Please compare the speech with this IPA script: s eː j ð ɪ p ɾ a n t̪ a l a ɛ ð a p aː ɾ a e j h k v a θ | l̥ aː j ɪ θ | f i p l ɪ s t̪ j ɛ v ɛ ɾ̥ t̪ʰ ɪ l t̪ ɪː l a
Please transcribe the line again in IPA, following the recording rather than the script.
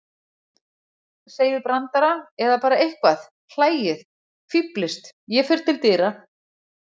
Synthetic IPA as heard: s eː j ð ɪ p ɾ a n t̪ a ɾ a ɛ ð a p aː ɾ a e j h k v a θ | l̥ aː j ɪ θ | f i p l ɪ s t̪ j ɛ f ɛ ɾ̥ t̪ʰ ɪ l t̪ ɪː ɾ a